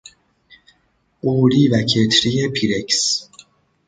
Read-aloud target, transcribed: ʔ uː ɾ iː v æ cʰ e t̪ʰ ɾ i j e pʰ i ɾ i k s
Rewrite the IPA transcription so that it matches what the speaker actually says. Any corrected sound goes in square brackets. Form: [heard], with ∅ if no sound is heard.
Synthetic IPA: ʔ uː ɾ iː v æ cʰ e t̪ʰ ɾ i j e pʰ i ɾ [e] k s